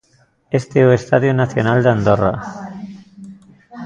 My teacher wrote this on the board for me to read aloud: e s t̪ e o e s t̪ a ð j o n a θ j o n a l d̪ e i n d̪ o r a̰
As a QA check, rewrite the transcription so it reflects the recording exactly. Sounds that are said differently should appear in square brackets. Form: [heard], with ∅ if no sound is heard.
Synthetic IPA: e s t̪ e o e s t̪ a ð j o n a θ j o n a l d̪ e [a] n d̪ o r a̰